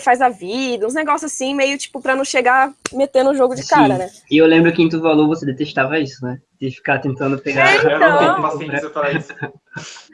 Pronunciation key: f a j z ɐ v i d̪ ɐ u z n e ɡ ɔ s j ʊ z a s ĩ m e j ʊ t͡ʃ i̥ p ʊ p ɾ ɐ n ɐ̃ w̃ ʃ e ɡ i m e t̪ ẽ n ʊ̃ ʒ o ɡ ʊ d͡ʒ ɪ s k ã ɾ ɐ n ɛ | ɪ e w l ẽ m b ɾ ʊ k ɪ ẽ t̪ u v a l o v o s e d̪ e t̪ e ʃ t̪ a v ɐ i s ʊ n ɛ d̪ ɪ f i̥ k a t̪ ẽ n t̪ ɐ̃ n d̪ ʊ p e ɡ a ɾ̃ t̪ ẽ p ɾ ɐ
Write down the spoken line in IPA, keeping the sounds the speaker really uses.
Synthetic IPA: f a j z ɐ v i d̪ ɐ ũ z n e ɡ ɔ s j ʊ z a s ĩ m e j ʊ t͡ʃ i̥ p ʊ p ɾ ɐ n ɐ̃ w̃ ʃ e ɡ a m e t̪ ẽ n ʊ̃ ʒ o ɡ ʊ d͡ʒ ɪ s k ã ɾ ɐ n ɛ | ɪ e w l ẽ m b ɾ ʊ k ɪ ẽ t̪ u v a l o v o s e d̪ e t̪ e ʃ t̪ a v ɐ i s ʊ n ɛ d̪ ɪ f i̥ k a t̪ ẽ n t̪ ɐ̃ n d̪ ʊ p e ɡ a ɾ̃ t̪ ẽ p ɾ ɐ